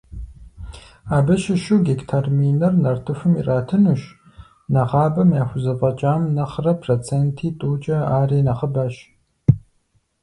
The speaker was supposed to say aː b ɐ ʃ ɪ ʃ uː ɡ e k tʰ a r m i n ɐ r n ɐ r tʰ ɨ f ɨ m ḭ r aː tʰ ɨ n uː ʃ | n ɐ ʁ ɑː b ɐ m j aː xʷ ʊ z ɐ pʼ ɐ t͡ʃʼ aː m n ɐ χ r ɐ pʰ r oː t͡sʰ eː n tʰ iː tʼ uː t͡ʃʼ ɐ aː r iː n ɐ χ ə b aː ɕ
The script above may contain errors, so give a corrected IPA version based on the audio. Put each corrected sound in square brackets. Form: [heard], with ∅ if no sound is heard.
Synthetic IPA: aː b ɐ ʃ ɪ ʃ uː ɡ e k tʰ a r m i n ɐ r n ɐ r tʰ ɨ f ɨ m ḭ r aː tʰ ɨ n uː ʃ | n ɐ ʁ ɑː b ɐ m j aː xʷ ʊ z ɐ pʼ ɐ t͡ʃʼ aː m n ɐ χ r ɐ pʰ r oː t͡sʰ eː n tʰ iː tʼ uː t͡ʃʼ ɐ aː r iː n ɐ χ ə b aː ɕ